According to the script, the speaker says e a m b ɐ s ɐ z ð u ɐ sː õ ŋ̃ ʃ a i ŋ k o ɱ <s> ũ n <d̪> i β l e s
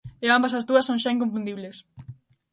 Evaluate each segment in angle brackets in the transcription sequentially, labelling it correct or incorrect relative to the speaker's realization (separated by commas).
incorrect, correct